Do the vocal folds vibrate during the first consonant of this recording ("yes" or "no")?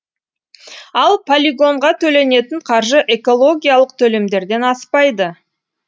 yes